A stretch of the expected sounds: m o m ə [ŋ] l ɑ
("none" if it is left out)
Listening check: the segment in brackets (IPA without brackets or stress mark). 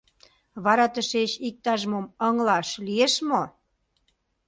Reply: ŋ